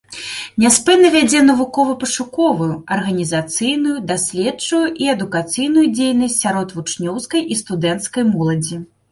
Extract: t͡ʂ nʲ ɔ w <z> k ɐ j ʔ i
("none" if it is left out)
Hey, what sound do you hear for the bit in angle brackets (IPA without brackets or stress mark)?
s